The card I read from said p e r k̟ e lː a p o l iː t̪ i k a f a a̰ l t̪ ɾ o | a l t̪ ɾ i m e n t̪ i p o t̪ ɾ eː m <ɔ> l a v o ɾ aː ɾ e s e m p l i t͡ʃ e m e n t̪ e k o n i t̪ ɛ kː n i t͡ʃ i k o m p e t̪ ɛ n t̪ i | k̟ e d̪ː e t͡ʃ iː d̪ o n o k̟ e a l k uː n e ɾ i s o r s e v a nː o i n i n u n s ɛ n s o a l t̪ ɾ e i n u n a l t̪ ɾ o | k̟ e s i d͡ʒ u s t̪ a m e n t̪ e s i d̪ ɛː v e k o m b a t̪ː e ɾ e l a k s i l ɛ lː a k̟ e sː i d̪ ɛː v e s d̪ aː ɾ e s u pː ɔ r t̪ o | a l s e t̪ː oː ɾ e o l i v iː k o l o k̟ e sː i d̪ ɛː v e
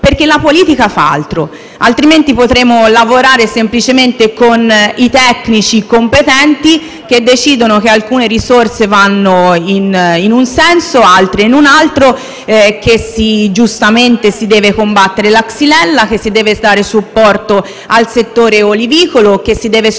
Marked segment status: incorrect: o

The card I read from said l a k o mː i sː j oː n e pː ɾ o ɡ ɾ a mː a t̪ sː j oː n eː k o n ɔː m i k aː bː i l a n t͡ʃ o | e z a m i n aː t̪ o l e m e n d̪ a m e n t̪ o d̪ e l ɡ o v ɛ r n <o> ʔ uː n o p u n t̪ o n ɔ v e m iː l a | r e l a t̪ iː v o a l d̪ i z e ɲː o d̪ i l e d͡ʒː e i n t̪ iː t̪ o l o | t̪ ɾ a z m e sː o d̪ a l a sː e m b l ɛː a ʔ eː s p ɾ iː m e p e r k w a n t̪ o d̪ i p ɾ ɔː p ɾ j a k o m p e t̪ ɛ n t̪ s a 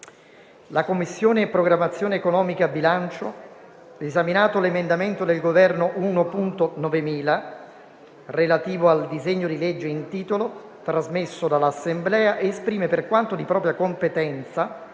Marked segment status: correct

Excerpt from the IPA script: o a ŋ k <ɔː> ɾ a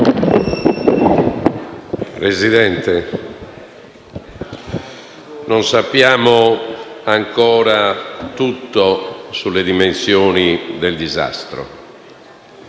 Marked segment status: correct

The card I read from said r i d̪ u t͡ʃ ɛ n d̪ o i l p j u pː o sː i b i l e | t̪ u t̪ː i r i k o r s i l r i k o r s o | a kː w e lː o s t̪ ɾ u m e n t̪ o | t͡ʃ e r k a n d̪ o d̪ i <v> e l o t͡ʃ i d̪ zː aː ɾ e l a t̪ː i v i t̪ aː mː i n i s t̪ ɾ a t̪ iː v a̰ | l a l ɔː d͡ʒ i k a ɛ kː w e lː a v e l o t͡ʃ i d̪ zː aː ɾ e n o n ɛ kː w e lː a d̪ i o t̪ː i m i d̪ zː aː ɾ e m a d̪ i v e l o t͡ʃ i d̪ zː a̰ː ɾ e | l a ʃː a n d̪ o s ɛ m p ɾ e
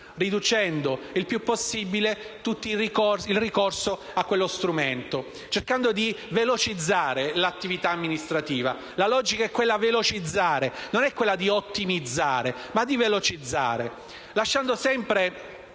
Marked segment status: correct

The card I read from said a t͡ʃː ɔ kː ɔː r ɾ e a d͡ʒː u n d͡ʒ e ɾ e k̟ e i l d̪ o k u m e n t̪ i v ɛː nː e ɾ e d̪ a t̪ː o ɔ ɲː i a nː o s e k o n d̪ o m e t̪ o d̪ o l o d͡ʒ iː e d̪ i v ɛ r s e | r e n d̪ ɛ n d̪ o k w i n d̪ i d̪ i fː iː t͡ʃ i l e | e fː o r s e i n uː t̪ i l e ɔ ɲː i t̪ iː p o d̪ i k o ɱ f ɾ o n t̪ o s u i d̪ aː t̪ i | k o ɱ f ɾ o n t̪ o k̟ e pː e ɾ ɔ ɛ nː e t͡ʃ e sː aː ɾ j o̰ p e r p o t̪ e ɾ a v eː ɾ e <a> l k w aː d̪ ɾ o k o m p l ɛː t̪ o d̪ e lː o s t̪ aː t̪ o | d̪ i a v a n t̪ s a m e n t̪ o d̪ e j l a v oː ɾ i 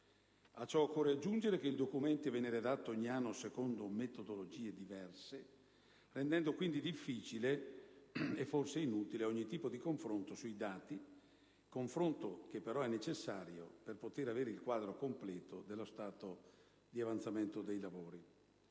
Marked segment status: incorrect: i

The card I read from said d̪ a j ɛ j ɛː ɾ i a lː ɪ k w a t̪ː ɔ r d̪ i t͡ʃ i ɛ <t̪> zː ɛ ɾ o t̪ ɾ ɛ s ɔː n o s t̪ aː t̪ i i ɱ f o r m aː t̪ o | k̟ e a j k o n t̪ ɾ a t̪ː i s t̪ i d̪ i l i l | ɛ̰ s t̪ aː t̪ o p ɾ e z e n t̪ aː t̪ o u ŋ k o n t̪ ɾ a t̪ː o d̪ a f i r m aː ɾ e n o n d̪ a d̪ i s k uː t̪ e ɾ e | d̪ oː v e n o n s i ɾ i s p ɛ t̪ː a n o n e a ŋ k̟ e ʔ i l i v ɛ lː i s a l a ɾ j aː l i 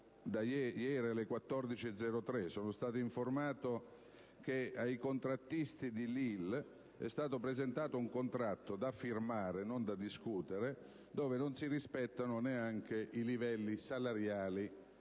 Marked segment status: incorrect: d̪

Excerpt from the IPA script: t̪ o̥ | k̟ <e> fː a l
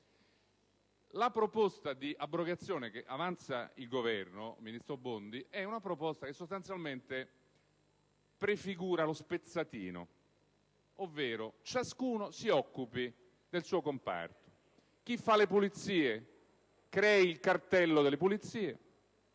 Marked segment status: incorrect: i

